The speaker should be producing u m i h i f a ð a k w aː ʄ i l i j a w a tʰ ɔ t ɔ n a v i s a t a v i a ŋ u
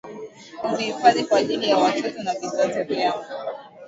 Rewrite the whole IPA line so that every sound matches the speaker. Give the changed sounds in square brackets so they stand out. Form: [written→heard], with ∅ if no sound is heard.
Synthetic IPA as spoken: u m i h i f a ð [a→i] k w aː ʄ i l i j a w a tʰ ɔ t ɔ n a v i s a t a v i a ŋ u